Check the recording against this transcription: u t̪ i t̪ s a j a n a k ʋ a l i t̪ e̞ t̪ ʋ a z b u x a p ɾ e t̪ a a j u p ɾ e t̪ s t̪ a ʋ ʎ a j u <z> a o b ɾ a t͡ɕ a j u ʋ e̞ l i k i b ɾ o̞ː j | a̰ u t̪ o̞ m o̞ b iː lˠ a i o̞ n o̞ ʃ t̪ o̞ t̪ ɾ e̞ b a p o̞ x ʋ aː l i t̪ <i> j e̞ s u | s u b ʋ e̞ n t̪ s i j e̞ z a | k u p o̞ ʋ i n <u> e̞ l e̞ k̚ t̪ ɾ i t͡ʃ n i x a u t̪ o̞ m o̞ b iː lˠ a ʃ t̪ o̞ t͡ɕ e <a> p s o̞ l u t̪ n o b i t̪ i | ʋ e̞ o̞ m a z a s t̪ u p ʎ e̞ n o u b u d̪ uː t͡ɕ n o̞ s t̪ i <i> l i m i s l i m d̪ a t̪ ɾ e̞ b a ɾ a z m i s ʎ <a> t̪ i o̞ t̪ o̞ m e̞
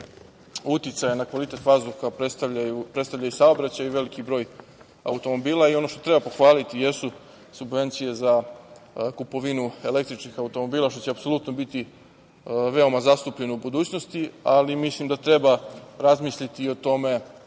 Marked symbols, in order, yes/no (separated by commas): no, yes, yes, yes, no, no